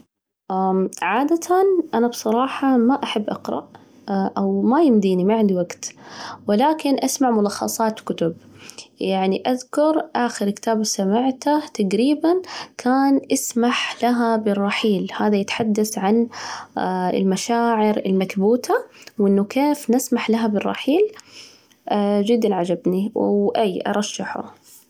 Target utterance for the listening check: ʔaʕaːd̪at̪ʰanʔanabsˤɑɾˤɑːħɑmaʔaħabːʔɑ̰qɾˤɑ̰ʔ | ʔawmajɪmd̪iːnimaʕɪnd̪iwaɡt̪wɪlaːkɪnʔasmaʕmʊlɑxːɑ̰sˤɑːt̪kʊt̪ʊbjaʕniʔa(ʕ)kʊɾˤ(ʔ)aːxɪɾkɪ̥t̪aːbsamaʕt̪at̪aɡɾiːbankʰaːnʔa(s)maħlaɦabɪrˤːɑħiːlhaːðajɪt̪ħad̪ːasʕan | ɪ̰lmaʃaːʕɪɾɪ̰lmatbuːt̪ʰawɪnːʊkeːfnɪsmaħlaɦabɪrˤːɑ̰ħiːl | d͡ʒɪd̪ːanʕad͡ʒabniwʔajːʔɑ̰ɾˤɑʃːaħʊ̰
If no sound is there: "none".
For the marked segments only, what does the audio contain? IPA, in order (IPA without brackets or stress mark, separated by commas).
ð, ʔ, s